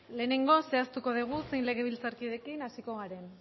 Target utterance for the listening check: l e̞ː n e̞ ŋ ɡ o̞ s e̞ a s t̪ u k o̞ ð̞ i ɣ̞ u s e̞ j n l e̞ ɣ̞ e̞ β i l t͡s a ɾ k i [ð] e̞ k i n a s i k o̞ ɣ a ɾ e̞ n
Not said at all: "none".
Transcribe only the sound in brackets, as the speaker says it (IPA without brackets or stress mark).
ð